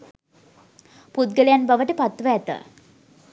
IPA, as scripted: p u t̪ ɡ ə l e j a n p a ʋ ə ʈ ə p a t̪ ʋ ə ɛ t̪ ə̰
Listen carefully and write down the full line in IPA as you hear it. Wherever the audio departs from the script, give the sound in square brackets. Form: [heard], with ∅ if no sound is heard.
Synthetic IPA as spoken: p u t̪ ɡ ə l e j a n [b] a ʋ ə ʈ ə p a t̪ ʋ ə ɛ t̪ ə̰

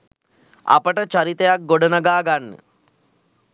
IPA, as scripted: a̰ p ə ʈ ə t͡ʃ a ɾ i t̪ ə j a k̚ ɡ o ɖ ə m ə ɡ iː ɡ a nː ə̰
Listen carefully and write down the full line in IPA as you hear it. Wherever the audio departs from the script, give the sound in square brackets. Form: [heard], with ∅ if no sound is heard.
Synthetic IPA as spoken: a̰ p ə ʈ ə t͡ʃ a ɾ i t̪ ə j a k̚ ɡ o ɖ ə [n] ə ɡ [aː] ɡ a nː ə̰

